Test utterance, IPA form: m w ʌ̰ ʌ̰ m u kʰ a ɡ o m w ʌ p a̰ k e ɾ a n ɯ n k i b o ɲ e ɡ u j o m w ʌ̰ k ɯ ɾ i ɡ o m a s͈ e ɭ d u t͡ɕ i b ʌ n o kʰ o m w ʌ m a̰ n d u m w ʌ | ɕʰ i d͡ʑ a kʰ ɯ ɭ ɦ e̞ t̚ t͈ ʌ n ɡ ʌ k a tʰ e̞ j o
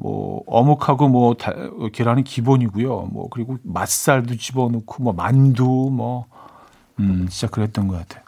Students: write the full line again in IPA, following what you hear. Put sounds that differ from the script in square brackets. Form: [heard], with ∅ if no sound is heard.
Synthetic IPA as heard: m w ʌ̰ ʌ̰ m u kʰ a ɡ o m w ʌ [t] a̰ k e ɾ a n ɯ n k i b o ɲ [i] ɡ u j o m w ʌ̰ k ɯ ɾ i ɡ o m a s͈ [a] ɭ d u t͡ɕ i b ʌ n o kʰ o m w ʌ m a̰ n d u m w ʌ | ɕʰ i d͡ʑ a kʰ ɯ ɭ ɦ e̞ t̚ t͈ ʌ n ɡ ʌ k a tʰ e̞ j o